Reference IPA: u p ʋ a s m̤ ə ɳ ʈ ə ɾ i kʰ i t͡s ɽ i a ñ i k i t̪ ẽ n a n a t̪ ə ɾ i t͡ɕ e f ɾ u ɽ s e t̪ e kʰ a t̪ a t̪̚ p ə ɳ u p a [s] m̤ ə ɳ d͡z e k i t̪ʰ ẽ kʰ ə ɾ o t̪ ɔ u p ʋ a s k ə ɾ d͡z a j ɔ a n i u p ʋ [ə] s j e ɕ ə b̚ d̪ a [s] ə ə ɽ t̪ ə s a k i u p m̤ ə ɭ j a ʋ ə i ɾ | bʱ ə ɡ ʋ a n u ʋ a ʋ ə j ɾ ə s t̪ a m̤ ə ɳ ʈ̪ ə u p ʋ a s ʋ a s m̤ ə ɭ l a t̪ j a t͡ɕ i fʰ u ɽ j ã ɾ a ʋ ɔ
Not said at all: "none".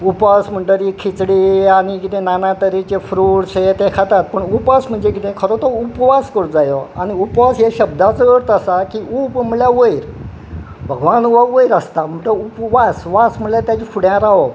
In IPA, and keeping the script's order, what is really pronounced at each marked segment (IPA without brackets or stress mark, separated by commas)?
s, a, t͡s